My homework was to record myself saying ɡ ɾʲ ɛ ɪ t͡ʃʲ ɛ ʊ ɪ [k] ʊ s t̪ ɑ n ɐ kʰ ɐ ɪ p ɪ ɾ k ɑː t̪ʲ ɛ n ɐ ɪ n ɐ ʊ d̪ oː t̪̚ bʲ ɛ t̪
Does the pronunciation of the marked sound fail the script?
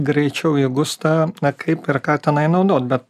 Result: yes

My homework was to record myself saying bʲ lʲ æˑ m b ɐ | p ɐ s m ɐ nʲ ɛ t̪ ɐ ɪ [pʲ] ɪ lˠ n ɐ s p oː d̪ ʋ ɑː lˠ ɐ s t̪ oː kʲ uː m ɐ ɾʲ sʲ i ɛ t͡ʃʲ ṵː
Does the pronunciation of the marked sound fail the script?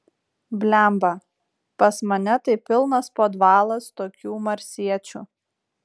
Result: no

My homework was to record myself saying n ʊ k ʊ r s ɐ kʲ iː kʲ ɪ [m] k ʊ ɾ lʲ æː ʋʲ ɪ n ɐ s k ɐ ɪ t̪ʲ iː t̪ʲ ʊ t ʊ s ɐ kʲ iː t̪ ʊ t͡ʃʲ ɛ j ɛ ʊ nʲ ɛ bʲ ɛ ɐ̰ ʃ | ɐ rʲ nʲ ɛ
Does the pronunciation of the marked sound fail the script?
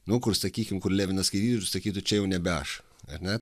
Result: no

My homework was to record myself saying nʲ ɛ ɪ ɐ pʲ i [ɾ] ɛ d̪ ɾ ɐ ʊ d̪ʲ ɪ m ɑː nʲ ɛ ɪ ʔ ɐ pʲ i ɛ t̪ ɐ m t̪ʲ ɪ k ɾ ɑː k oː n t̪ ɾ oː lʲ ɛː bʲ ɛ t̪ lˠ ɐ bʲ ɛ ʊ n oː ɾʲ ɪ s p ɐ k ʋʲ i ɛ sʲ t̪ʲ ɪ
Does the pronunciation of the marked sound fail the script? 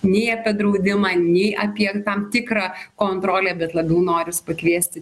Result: yes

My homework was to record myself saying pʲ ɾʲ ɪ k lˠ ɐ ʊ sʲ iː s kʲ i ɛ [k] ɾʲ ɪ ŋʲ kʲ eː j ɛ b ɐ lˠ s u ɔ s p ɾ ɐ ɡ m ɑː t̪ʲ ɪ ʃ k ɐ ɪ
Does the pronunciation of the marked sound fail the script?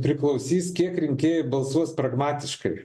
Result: no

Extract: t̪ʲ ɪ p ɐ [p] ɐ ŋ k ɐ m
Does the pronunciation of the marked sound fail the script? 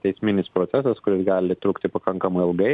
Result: yes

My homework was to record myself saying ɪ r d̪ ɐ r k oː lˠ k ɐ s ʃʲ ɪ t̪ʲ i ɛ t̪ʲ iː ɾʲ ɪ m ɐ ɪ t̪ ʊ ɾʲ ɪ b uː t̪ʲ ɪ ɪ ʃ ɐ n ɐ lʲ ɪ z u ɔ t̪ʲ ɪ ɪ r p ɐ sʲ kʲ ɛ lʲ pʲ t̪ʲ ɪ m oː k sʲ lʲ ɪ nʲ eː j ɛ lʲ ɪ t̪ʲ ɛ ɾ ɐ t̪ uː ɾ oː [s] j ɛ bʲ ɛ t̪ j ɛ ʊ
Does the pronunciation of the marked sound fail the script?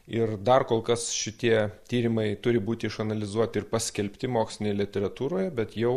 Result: yes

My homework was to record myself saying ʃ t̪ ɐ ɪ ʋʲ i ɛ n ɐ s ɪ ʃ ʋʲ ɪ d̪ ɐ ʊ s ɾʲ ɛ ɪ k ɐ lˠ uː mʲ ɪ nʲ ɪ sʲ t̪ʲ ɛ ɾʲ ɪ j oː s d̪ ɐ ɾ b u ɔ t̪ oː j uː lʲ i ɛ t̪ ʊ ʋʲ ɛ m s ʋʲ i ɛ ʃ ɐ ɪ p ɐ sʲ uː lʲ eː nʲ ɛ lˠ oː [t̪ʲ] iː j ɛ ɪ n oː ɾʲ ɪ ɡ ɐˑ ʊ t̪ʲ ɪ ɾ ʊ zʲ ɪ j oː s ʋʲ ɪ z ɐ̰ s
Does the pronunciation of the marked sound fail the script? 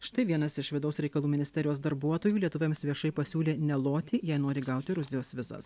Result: no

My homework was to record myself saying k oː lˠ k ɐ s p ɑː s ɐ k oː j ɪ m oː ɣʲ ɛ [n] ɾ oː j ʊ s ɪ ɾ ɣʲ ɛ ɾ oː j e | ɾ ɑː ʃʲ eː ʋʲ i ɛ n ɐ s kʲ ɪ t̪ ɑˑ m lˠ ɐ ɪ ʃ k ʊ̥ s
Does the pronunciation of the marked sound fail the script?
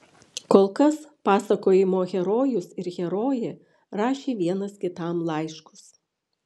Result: yes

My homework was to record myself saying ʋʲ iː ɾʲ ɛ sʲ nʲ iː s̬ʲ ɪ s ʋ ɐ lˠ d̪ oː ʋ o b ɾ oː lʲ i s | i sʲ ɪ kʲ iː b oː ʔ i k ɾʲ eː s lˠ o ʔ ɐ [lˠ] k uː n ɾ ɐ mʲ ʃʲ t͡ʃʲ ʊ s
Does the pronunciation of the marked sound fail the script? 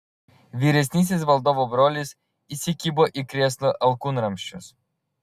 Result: no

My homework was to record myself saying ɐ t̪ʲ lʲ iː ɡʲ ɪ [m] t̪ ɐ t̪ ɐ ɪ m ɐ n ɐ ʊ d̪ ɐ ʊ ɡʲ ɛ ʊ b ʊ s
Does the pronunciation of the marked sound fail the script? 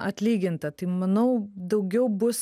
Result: yes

